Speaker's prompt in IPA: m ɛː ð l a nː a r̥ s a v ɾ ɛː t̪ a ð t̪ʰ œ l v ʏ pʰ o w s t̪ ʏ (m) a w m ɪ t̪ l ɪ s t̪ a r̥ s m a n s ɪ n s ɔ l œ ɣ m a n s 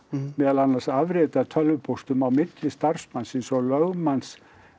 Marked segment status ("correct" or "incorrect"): correct